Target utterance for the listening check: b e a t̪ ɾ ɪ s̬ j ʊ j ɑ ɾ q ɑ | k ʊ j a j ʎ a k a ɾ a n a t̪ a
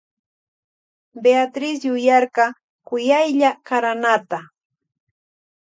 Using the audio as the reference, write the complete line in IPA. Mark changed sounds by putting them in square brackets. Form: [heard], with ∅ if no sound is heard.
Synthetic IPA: b e a t̪ ɾ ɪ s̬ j ʊ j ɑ ɾ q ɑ | k ʊ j a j ʎ a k a ɾ a n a t̪ a